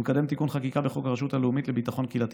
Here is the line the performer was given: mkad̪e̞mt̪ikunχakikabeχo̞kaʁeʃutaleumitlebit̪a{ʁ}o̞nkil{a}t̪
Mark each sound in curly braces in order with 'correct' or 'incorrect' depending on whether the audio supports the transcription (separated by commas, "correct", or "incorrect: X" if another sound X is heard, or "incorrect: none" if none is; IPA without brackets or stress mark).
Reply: incorrect: χ, correct